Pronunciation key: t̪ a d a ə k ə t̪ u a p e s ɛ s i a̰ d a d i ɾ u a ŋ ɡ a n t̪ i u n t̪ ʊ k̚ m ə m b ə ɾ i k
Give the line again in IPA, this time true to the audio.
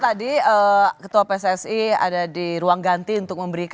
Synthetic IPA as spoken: t̪ a d i ə k ə t̪ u a p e s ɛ s i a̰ d a d i ɾ u a ŋ ɡ a n t̪ i u n t̪ ʊ k̚ m ə m b ə ɾ i k